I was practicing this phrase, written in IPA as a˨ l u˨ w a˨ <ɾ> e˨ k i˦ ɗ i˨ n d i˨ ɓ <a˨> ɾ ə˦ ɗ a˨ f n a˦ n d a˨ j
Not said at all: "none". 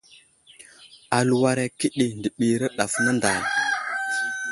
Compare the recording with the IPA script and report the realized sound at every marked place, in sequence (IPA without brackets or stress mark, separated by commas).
ɾ, i˨